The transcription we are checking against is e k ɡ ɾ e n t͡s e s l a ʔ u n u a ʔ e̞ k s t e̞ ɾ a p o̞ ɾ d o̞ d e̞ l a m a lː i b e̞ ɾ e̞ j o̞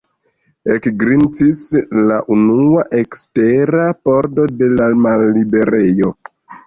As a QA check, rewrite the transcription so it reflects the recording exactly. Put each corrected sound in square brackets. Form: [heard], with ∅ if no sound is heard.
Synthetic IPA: e k ɡ ɾ [i] n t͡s [i] s l a ʔ u n u a ʔ e̞ k s t e̞ ɾ a p o̞ ɾ d o̞ d e̞ l a m a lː i b e̞ ɾ e̞ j o̞